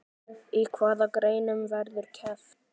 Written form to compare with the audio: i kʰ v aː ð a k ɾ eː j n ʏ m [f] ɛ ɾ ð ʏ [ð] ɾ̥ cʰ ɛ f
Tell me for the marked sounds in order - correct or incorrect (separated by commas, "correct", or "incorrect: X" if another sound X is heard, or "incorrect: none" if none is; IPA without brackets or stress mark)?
incorrect: v, incorrect: none